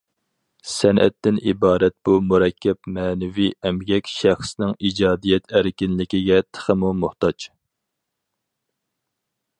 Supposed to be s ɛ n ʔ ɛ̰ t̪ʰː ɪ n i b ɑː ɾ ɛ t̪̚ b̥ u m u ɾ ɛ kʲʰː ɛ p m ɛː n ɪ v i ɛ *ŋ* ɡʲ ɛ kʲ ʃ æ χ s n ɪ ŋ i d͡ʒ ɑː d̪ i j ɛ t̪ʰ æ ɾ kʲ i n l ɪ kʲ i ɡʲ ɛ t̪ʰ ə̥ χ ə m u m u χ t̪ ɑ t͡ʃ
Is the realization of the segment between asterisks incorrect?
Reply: yes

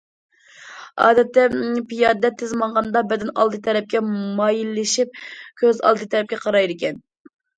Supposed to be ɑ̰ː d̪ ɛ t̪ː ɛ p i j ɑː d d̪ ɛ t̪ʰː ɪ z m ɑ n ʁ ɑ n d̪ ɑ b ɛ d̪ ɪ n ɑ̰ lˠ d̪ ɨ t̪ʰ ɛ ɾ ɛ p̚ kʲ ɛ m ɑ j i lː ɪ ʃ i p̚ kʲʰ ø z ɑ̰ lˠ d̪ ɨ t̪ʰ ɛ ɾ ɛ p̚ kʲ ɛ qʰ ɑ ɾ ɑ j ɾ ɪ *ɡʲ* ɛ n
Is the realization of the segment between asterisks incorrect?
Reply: yes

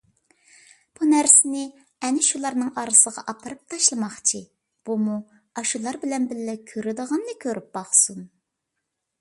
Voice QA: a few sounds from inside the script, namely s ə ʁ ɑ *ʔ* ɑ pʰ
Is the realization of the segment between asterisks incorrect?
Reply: no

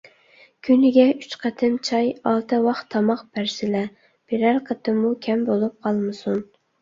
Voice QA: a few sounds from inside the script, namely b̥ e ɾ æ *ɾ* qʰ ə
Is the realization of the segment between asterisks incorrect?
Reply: no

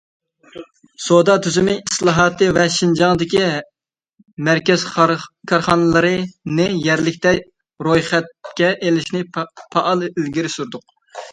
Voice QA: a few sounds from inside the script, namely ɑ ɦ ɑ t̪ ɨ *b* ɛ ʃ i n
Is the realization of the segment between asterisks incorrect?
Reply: yes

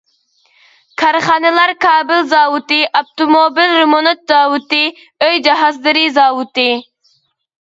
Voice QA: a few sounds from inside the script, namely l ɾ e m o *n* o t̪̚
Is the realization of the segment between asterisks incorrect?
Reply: no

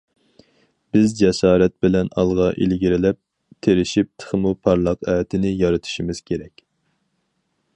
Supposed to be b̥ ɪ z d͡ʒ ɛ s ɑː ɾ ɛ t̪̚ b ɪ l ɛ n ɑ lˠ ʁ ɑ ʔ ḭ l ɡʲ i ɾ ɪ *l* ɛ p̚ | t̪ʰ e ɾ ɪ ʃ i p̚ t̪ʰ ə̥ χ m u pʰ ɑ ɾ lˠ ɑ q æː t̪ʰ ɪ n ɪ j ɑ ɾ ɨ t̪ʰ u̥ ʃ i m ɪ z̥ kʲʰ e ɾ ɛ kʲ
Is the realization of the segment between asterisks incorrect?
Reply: no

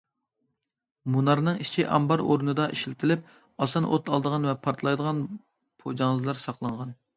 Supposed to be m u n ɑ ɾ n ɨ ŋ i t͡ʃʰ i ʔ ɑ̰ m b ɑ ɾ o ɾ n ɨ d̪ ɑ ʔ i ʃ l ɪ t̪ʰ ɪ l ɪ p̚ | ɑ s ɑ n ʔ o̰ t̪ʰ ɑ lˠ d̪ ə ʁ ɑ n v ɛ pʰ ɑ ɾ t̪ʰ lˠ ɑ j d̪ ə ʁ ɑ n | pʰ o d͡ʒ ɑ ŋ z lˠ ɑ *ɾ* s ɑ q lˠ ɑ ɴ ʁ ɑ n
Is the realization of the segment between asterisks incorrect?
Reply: no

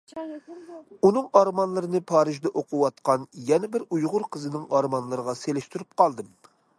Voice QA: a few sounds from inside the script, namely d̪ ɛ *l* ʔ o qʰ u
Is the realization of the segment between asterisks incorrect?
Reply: yes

